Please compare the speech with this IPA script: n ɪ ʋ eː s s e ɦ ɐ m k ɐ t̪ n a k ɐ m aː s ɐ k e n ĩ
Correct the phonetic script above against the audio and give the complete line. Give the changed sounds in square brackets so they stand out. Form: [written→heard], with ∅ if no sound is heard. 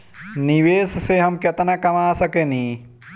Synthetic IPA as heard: n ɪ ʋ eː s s e ɦ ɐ m k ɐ t̪ n a k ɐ m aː s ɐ k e n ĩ